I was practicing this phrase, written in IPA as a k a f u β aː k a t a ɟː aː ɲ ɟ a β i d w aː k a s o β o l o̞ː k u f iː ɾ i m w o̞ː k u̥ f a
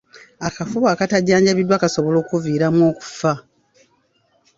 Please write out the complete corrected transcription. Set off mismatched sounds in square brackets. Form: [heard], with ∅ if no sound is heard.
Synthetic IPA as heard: a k a f u β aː k a t a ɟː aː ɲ ɟ a β i d w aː k a s o β o l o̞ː k u [v] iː ɾ [a] m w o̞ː k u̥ f a